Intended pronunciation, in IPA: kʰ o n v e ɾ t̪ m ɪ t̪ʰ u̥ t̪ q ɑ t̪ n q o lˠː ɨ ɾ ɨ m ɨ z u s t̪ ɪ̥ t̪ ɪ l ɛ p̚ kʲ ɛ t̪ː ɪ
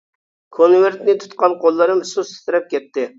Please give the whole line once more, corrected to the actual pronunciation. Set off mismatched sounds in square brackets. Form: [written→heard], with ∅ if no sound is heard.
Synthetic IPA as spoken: kʰ o n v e ɾ t̪ [m→n] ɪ t̪ʰ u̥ t̪ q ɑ [t̪→∅] n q o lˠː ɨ ɾ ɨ m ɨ [z→s] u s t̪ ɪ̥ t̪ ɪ [l→ɾ] ɛ p̚ kʲ ɛ t̪ː ɪ